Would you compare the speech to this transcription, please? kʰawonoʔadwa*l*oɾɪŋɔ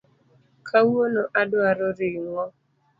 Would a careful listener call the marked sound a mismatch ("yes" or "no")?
yes